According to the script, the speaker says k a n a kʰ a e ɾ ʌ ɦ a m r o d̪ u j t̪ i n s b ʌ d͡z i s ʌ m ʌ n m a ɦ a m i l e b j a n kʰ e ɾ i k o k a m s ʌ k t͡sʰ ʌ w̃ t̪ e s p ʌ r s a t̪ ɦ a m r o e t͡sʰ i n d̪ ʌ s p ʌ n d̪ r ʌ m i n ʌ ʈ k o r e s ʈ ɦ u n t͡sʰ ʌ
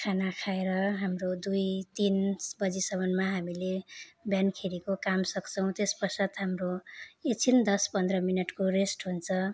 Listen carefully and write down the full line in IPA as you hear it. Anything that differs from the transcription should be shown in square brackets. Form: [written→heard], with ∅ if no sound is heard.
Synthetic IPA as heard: [k→kʰ] a n a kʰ a e ɾ ʌ ɦ a m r o d̪ u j t̪ i n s b ʌ d͡z i s ʌ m ʌ n m a ɦ a m i l e b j a n kʰ e ɾ i k o k a m s ʌ k t͡sʰ ʌ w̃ t̪ e s p ʌ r s a t̪ ɦ a m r o e t͡sʰ i n d̪ ʌ s p ʌ n d̪ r ʌ m i n ʌ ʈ k o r e s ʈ ɦ u n t͡sʰ ʌ